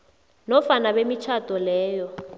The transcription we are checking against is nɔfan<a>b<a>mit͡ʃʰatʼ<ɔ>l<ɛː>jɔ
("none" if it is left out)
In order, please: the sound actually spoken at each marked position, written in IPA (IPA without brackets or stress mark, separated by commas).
a, e, ɔ, ɛː